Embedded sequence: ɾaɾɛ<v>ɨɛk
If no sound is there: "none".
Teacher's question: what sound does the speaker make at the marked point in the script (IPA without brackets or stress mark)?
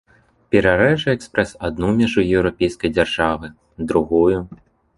ʐ